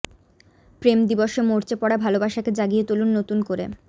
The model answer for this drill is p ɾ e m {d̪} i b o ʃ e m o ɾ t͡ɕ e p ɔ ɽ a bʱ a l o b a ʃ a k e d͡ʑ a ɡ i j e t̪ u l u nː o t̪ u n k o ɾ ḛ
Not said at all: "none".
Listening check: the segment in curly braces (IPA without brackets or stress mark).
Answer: d̪